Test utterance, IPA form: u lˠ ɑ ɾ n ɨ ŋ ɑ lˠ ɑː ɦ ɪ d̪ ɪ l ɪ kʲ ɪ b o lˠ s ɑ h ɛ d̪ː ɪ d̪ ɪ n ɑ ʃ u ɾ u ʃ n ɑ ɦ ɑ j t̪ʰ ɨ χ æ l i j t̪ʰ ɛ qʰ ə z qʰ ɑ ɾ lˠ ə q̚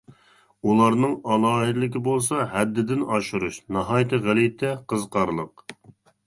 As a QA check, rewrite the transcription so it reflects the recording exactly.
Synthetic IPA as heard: u lˠ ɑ ɾ n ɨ ŋ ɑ lˠ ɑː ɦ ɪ d̪ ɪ l ɪ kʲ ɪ b o lˠ s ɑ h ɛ d̪ː ɪ d̪ ɪ n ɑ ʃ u ɾ u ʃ n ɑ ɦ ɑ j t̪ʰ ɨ ʁ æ l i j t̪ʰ ɛ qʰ ə z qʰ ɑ ɾ lˠ ə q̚